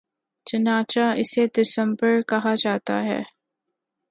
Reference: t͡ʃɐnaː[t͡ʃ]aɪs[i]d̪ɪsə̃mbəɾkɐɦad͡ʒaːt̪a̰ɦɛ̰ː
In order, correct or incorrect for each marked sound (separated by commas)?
correct, incorrect